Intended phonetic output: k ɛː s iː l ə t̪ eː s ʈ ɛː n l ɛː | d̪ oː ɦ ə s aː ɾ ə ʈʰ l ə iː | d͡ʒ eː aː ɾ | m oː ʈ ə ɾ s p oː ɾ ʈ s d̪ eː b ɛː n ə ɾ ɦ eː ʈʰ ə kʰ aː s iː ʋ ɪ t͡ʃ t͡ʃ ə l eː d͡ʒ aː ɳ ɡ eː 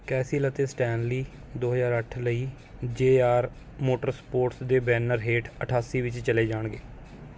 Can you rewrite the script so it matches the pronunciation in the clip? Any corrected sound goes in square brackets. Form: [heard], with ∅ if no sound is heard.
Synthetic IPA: k ɛː s iː l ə t̪ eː s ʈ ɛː n l [iː] | d̪ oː ɦ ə [z] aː ɾ ə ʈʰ l ə iː | d͡ʒ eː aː ɾ | m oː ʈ ə ɾ s p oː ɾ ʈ s d̪ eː b ɛː n ə ɾ ɦ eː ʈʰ ə [ʈʰ] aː s iː ʋ ɪ t͡ʃ t͡ʃ ə l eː d͡ʒ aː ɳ ɡ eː